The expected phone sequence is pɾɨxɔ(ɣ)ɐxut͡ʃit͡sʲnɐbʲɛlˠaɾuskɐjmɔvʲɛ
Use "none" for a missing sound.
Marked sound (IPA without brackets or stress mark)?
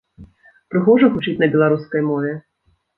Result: ʐ